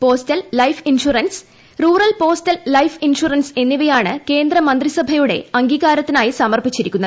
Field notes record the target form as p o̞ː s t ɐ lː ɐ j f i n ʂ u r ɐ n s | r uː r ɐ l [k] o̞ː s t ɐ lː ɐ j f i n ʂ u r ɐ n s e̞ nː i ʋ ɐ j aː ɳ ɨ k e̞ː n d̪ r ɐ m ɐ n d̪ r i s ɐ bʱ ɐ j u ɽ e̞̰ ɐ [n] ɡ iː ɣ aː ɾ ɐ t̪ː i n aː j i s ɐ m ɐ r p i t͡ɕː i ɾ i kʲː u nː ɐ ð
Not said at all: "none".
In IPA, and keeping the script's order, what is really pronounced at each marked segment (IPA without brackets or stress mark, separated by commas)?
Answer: p, ŋ